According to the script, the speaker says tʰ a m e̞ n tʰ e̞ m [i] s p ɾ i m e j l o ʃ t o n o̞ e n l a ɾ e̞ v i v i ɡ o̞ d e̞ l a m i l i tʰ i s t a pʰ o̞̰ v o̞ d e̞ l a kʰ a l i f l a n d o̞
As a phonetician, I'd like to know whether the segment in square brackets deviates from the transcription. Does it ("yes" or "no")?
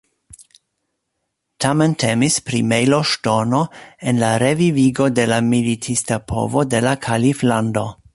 no